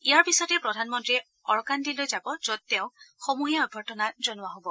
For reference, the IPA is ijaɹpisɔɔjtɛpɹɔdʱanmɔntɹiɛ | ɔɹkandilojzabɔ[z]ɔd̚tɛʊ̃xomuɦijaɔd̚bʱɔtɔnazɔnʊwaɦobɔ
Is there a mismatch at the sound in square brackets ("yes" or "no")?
no